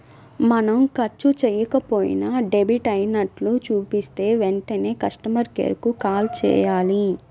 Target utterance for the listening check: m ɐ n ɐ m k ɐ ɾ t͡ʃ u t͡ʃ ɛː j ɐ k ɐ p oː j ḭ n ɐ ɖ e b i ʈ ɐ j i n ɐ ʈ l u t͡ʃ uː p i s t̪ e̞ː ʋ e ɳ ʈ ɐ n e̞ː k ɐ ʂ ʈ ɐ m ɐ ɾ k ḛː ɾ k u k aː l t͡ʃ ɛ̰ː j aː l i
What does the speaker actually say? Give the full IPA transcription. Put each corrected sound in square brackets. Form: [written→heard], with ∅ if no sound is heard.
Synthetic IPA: m ɐ n ɐ m k ɐ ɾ t͡ʃ u t͡ʃ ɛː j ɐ k ɐ p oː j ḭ n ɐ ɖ e b i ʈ ɐ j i n ɐ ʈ l u t͡ʃ uː p i s t̪ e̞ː ʋ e ɳ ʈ ɐ n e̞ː k ɐ ʂ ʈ ɐ m ɐ ɾ k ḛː ɾ k u k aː l t͡ʃ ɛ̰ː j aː l i